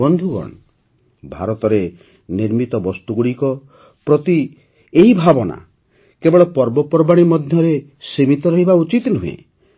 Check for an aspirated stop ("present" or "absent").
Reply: absent